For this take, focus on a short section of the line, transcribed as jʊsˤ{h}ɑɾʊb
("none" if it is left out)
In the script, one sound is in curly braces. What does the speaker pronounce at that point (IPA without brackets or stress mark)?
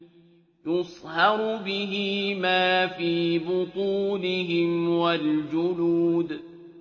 h